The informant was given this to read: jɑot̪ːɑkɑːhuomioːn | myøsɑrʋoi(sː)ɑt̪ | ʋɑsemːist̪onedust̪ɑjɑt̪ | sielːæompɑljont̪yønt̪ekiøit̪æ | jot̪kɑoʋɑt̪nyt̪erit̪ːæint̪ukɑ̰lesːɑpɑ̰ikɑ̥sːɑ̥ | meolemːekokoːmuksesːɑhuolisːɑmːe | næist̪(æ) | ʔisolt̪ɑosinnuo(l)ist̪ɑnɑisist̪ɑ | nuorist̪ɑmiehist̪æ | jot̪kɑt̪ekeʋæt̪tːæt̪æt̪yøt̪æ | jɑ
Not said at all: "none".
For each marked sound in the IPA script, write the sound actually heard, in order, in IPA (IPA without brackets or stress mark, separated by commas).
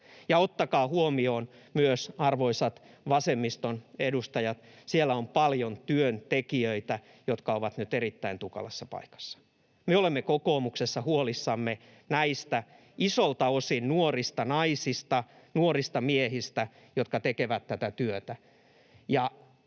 s, æ, r